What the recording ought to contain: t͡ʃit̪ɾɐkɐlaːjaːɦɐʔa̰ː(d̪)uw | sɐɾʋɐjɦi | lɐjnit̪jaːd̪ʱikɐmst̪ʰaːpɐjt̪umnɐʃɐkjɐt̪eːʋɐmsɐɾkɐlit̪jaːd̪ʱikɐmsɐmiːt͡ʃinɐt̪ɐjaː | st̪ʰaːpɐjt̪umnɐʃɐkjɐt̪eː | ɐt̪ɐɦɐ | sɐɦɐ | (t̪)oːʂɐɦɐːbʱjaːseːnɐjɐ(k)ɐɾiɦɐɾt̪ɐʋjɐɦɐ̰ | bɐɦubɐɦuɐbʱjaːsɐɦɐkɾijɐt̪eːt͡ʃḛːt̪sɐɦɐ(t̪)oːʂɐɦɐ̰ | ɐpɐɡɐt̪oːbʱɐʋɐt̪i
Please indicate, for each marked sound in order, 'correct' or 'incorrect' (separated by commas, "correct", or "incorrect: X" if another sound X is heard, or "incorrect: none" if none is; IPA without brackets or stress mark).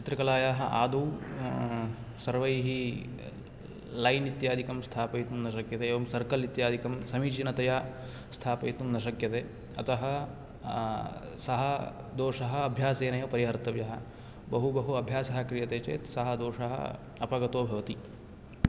correct, incorrect: d̪, incorrect: p, incorrect: d̪